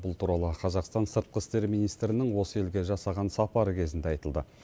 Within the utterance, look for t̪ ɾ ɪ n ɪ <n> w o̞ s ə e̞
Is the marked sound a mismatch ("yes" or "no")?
yes